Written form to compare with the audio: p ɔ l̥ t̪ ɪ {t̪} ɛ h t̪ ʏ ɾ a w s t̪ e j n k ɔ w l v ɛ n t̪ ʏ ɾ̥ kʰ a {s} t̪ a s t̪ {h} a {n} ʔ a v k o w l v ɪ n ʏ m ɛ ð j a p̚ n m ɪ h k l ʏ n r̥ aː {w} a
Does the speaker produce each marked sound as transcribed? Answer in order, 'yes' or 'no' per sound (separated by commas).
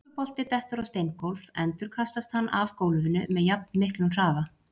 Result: yes, yes, yes, no, no